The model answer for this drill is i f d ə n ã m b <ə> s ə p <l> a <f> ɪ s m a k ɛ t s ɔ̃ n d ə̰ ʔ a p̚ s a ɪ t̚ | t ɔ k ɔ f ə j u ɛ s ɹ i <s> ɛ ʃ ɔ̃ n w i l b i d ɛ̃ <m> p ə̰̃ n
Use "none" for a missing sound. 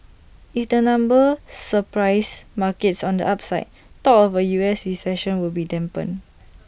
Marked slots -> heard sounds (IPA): ə, ɹ, none, s, m

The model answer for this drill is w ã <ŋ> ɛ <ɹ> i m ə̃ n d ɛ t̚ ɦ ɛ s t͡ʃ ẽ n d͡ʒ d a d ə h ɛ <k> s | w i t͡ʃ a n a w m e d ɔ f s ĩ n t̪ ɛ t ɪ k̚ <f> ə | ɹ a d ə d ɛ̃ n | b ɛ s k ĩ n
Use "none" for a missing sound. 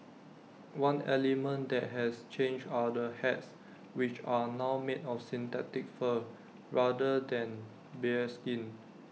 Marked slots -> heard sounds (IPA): n, l, t, f

